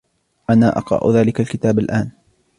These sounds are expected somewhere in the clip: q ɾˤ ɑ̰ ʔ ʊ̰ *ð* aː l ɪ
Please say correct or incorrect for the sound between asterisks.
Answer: correct